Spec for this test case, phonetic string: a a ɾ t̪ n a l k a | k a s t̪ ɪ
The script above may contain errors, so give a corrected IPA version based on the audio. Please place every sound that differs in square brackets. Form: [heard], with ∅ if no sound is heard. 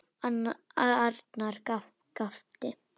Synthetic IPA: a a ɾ t̪ n a [ɾ] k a | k a [f] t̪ ɪ